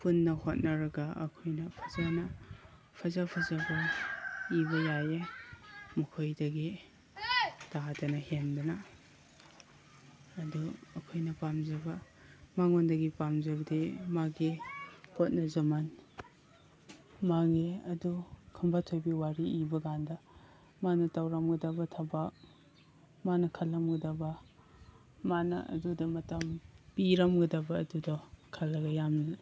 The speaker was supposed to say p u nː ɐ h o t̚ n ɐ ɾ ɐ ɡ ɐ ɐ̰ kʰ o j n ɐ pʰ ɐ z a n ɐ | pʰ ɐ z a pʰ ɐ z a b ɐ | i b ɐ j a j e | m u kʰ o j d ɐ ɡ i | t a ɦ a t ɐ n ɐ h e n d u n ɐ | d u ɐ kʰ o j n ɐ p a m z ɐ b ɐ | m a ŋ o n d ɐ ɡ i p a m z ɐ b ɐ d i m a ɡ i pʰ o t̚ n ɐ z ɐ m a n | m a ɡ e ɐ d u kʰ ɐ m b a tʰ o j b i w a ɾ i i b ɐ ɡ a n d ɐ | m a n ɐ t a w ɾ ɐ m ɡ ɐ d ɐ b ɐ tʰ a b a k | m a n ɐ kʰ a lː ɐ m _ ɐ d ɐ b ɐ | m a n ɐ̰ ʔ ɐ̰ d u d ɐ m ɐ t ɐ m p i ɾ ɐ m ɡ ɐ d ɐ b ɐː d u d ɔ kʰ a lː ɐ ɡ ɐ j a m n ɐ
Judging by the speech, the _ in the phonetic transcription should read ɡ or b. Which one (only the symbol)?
ɡ